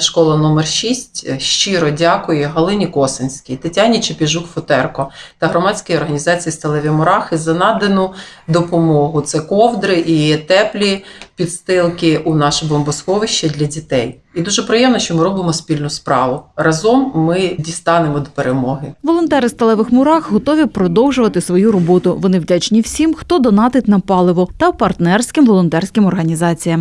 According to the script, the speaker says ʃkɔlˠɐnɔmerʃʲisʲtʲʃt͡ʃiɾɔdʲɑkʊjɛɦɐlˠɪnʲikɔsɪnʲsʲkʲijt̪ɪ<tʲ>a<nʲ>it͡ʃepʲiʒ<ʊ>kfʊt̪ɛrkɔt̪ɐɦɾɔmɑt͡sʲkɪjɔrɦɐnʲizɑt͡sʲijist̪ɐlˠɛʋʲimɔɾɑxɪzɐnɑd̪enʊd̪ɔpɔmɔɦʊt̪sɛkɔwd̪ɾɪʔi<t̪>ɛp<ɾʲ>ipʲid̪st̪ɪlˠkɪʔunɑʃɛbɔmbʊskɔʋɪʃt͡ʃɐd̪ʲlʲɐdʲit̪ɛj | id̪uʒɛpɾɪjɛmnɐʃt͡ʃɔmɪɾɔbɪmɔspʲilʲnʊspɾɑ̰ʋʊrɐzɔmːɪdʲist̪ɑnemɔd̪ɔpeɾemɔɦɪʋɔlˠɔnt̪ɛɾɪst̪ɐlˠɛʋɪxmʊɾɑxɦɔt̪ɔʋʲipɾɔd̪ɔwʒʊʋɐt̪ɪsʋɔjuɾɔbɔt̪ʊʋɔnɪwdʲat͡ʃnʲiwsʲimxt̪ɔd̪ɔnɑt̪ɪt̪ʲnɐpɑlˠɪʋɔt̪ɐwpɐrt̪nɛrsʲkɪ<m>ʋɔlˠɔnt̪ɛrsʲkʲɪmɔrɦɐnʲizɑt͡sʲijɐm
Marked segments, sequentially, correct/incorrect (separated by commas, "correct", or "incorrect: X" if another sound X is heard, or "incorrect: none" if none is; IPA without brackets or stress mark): correct, correct, incorrect: u, correct, incorrect: lʲ, correct